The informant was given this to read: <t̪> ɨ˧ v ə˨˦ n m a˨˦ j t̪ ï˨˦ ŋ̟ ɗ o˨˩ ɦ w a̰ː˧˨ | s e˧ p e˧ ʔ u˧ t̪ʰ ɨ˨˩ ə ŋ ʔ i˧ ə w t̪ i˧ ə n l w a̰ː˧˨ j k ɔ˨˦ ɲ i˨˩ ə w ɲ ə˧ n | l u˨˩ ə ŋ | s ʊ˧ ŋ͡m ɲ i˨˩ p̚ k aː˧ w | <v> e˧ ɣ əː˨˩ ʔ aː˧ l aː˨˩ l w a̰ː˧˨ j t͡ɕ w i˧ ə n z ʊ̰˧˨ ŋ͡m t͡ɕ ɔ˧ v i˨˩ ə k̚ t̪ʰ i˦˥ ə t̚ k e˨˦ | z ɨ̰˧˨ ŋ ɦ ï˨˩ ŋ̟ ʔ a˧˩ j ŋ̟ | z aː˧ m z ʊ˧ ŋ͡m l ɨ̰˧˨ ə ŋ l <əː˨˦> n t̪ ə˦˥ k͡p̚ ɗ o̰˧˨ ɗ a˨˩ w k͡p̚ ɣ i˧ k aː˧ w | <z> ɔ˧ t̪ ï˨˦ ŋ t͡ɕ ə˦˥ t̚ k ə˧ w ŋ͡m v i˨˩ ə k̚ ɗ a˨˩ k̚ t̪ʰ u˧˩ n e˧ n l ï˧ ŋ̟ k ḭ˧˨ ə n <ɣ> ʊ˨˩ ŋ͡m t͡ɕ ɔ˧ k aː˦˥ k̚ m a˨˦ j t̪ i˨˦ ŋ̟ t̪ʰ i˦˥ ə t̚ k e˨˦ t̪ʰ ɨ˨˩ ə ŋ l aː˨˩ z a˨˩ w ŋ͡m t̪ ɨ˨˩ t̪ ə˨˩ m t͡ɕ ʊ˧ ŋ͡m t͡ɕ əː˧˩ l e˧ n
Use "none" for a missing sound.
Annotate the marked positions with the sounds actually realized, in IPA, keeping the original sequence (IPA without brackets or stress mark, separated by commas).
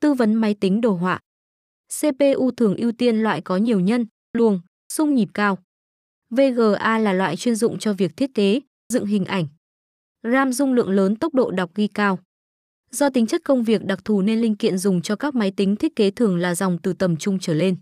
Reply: t̪, v, əː˨˦, z, z